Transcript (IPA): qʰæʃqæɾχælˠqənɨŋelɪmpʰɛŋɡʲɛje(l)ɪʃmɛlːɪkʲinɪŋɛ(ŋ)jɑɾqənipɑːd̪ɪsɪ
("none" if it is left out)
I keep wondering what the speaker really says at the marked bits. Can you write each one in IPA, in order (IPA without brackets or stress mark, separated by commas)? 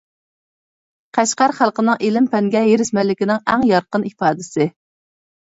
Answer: ɾ, ŋ